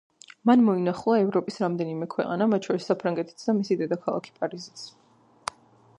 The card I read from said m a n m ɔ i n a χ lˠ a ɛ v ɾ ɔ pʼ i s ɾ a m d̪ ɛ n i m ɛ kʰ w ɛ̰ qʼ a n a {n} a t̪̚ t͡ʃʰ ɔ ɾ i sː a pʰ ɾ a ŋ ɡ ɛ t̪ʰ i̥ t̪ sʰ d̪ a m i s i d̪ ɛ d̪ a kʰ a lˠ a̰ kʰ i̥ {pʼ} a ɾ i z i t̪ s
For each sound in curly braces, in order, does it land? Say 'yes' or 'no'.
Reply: no, yes

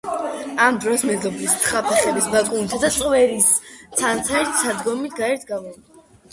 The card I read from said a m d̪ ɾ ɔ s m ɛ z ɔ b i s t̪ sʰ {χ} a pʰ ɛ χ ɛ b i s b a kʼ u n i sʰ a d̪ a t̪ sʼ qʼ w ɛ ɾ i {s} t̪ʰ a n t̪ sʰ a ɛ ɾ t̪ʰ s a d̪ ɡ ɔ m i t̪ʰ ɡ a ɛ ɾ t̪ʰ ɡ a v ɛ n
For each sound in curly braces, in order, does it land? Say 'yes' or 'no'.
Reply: yes, yes

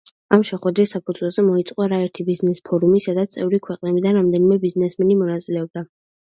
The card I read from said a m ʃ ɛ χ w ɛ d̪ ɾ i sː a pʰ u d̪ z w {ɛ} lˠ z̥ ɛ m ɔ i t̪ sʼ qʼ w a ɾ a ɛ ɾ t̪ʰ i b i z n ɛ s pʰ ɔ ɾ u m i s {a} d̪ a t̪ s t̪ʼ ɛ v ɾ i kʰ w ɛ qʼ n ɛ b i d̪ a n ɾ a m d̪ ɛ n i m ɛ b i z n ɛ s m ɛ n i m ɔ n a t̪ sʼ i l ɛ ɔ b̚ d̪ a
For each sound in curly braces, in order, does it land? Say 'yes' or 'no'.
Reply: yes, yes

